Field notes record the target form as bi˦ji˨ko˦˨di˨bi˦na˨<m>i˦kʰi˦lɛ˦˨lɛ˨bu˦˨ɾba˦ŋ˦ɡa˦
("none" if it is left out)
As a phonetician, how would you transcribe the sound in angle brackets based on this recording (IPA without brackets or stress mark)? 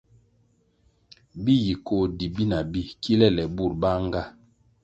b